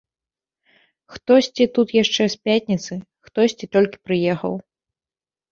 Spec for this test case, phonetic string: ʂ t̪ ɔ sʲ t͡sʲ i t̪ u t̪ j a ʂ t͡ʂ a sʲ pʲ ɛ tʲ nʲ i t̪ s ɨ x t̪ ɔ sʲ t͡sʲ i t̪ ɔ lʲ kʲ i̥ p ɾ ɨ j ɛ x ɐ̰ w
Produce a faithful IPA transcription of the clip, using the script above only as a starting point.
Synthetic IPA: x t̪ ɔ sʲ t͡sʲ i t̪ u t̪ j a ʂ t͡ʂ ɛ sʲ pʲ a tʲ nʲ i t̪ s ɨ x t̪ ɔ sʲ t͡sʲ i t̪ ɔ lʲ kʲ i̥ p ɾ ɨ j ɛ x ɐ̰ w